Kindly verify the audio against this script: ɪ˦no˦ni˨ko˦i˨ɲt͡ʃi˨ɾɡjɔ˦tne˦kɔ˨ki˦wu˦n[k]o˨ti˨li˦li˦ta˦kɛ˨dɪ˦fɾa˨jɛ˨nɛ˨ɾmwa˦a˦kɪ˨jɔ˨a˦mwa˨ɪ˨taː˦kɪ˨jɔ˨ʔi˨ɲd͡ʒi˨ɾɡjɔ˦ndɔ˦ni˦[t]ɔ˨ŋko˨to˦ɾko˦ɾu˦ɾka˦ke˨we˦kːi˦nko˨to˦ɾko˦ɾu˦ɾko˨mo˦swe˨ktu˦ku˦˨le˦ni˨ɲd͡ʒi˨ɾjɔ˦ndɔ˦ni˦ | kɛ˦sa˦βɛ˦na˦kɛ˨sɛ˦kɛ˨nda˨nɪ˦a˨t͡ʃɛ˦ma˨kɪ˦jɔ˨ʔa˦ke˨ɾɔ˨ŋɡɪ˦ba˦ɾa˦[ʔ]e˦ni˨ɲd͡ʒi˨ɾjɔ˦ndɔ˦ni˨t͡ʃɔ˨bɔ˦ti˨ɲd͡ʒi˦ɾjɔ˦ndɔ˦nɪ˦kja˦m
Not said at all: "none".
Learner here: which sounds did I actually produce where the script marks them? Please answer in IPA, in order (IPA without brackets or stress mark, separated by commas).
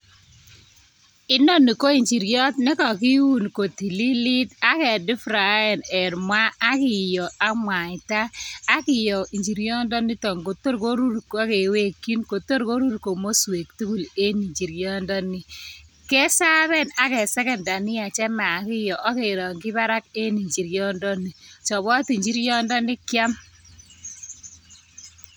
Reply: k, t, k